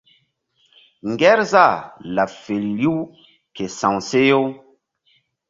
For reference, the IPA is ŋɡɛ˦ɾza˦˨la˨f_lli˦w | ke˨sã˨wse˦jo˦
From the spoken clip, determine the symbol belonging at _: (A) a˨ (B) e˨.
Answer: B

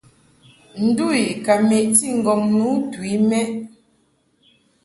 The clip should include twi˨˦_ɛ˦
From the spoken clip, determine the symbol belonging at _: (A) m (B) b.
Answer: A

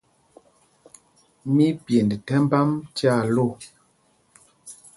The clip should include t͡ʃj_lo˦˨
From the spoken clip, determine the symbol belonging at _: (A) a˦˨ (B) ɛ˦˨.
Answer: A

